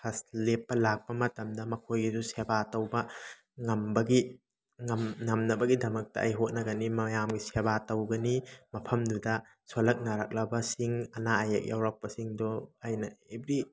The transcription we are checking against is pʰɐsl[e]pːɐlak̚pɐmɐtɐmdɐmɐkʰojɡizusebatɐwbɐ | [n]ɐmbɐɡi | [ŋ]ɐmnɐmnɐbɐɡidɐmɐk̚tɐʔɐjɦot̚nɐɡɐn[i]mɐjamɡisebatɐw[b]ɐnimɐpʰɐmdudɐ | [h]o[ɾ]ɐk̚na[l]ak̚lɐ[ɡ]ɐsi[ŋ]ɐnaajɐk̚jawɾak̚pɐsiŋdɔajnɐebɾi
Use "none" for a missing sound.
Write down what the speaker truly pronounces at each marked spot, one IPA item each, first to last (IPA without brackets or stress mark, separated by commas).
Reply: e, ŋ, ŋ, i, ɡ, s, l, ɾ, b, ŋ